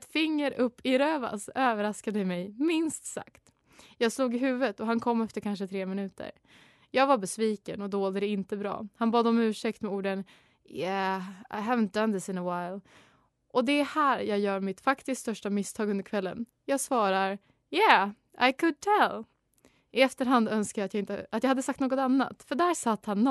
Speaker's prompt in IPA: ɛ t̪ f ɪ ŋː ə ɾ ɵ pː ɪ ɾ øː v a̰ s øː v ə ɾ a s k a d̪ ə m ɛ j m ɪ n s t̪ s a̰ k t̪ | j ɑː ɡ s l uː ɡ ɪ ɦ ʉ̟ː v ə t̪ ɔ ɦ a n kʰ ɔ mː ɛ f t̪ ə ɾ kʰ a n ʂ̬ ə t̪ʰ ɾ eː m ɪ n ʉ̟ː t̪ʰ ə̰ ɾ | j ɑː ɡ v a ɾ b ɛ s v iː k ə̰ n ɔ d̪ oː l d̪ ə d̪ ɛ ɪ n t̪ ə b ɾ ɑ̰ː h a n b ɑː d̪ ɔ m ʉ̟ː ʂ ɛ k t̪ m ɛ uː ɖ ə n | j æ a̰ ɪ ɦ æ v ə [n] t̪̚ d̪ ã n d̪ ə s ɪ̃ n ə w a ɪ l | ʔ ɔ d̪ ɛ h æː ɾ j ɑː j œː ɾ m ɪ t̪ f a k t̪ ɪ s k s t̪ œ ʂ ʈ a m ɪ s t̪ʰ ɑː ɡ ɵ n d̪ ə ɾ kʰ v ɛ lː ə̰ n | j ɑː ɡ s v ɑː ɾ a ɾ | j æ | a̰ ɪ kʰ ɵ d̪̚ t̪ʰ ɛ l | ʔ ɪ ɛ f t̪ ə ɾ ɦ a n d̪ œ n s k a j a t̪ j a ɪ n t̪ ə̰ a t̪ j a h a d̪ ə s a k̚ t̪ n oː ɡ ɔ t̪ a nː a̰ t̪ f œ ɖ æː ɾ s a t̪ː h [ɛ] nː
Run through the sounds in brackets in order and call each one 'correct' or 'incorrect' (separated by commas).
correct, incorrect